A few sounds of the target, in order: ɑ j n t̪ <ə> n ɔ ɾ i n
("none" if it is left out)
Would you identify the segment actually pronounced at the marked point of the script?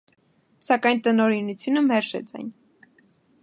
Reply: ə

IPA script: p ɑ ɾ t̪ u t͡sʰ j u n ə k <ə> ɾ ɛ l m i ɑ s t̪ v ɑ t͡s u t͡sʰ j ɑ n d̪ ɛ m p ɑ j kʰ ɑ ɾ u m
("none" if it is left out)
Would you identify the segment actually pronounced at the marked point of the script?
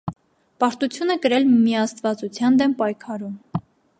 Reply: ə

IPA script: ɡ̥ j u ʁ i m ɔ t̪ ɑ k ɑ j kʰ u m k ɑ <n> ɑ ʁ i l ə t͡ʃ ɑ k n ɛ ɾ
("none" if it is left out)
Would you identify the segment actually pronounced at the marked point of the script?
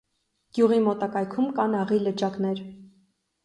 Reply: n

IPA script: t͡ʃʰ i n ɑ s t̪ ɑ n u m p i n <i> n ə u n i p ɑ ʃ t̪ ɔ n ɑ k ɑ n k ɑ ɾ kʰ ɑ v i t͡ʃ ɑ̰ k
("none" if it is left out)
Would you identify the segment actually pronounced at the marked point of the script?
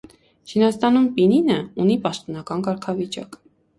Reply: i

